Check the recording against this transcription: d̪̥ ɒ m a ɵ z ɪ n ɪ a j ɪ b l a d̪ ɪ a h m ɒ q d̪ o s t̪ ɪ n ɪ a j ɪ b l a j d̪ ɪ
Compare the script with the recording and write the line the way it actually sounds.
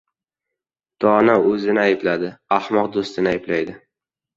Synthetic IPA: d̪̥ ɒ n a ɵ z ɪ n ɪ a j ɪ b l a d̪ ɪ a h m ɒ q d̪ o s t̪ ɪ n ɪ a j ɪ b l a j d̪ ɪ